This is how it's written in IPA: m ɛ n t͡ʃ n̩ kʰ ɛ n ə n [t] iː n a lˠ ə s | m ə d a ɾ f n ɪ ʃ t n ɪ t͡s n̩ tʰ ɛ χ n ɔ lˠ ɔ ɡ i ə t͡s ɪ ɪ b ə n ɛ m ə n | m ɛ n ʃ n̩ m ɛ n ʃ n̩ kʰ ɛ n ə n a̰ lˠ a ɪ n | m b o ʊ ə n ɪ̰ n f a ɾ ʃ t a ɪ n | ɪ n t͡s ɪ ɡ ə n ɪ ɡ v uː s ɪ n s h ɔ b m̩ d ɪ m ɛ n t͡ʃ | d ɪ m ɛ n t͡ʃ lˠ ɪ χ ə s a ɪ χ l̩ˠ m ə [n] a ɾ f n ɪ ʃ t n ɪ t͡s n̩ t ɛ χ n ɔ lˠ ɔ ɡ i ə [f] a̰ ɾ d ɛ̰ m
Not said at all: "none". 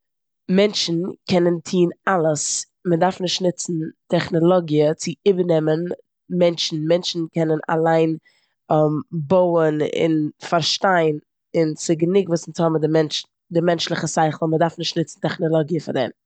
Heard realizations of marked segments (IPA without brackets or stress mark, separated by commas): tʰ, d, f